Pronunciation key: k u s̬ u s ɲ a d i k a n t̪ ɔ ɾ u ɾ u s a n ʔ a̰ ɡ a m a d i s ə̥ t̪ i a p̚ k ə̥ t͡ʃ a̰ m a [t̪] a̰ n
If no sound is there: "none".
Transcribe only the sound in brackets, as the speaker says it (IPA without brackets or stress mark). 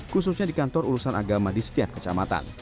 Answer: t̪